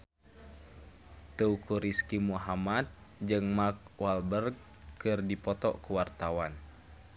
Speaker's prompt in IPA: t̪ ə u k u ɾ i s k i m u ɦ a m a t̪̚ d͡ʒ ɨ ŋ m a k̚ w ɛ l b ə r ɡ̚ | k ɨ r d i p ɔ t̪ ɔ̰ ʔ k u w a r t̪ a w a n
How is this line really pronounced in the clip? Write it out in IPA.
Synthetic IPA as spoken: t̪ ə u k u ɾ i s k i m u ɦ a m a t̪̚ d͡ʒ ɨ ŋ m a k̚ w a l b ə r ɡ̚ | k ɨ r d i p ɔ t̪ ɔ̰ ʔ k u w a r t̪ a w a n